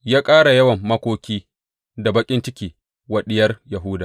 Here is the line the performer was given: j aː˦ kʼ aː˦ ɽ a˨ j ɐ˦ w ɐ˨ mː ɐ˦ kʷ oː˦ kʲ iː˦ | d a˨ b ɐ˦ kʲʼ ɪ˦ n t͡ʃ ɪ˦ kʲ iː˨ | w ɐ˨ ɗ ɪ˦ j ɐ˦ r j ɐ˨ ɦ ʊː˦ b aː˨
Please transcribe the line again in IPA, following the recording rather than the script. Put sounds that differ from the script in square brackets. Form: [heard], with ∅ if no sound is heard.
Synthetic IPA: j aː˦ kʼ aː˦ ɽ a˨ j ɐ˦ w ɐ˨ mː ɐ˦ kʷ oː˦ kʲ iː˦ | d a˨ b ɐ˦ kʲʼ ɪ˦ n t͡ʃ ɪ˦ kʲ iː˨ | w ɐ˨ ɗ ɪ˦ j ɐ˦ r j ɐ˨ ɦ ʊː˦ [d] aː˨

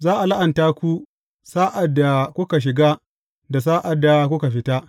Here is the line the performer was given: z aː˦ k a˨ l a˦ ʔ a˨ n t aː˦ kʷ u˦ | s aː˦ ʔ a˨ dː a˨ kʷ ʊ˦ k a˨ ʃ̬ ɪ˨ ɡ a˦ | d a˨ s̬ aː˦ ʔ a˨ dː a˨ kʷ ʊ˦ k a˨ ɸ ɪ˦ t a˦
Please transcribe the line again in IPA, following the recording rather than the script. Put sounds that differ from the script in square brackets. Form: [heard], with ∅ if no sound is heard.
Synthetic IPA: z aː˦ [ʔ] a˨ l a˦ ʔ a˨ n t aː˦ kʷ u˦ | s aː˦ ʔ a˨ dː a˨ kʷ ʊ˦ k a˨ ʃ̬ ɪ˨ ɡ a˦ | d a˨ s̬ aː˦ ʔ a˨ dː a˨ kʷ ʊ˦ k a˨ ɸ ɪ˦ t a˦

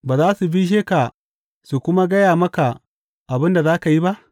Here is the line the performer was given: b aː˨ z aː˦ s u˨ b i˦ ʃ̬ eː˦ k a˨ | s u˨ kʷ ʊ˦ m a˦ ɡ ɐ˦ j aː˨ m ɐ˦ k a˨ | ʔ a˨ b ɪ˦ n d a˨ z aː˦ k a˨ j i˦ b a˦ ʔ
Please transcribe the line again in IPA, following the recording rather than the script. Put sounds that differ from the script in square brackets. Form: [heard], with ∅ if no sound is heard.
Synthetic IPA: b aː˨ z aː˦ s u˨ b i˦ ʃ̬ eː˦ k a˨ | s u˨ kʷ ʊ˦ m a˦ ɡ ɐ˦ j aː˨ m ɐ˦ k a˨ | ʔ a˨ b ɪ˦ n d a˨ z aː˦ k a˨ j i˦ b a˦ ʔ

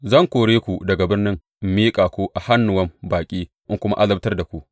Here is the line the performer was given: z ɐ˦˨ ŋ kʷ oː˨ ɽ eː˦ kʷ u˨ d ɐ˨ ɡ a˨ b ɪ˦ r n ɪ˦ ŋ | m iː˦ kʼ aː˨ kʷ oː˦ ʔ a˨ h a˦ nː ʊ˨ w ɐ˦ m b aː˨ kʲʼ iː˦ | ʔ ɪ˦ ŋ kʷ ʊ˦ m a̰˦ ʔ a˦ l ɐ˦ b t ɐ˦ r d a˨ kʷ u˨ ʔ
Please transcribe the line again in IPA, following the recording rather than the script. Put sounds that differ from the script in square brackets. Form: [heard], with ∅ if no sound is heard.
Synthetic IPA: z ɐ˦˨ ŋ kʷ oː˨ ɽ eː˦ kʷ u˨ d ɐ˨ ɡ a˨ b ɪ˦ r n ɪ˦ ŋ | m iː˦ kʼ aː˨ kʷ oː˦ ʔ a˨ h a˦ nː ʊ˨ w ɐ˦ m b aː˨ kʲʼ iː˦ | ʔ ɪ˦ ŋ kʷ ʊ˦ m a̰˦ ʔ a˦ l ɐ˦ b t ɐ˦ r d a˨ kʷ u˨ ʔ

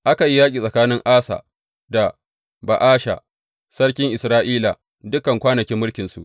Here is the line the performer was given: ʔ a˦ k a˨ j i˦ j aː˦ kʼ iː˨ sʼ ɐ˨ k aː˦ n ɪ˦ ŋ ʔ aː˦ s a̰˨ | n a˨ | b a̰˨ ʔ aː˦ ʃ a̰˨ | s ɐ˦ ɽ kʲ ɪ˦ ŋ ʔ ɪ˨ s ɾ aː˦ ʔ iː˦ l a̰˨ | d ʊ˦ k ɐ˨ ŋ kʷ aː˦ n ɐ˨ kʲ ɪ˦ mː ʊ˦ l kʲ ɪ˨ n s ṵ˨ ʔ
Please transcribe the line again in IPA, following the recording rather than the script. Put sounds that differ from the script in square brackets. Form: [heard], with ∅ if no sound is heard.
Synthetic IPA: ʔ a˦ k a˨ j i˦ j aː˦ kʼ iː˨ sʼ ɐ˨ k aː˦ n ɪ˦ ŋ ʔ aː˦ s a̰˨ | [d] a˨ | b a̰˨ ʔ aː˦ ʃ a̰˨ | s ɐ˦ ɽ kʲ ɪ˦ ŋ ʔ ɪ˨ s ɾ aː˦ ʔ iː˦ l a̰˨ | d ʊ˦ k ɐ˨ ŋ kʷ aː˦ n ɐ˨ kʲ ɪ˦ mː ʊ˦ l kʲ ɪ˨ n s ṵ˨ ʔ

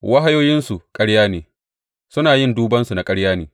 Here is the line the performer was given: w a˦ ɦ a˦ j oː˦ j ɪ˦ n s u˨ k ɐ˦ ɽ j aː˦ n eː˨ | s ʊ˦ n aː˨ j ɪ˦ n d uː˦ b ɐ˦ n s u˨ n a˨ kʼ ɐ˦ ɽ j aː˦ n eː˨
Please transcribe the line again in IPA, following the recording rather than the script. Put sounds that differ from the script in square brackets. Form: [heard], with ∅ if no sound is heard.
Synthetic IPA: w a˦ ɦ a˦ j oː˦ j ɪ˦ n s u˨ [kʼ] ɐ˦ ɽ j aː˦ n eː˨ | s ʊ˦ n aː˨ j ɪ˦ n d uː˦ b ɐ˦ n s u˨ n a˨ kʼ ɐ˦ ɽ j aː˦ n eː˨

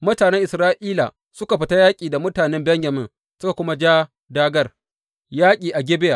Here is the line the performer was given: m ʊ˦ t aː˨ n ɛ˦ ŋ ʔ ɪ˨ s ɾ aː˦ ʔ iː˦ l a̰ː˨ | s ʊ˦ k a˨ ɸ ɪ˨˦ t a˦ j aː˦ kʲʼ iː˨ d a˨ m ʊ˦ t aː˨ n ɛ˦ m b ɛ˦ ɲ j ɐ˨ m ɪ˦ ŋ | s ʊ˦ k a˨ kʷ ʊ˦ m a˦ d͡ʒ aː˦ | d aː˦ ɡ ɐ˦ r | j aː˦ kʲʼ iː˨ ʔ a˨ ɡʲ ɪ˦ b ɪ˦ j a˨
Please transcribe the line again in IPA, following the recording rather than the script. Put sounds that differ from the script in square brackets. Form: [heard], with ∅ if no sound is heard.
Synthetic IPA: m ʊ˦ t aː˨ n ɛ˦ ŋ ʔ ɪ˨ s ɾ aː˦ ʔ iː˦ l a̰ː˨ | s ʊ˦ k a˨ ɸ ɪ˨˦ t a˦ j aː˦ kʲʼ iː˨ d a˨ m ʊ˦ t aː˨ n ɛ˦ m b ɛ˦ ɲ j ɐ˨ m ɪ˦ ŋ | s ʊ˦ k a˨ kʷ ʊ˦ m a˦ d͡ʒ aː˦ | d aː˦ ɡ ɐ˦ r | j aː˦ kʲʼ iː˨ ʔ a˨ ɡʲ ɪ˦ b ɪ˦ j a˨

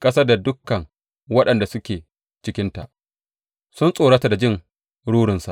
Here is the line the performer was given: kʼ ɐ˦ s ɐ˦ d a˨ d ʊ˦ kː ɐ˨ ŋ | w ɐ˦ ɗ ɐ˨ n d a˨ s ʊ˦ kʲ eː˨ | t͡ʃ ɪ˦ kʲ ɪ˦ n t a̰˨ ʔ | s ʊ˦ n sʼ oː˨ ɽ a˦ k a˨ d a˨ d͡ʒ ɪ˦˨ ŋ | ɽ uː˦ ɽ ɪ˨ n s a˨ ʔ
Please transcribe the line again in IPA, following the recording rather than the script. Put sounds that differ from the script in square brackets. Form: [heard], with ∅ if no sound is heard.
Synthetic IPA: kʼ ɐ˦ s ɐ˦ d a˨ d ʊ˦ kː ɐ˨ ŋ | w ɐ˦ ɗ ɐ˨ n d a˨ s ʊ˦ kʲ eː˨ | t͡ʃ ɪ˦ kʲ ɪ˦ n t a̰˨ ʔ | s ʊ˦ n sʼ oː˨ ɽ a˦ [t] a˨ d a˨ d͡ʒ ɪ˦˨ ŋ | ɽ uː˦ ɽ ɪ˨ n s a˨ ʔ

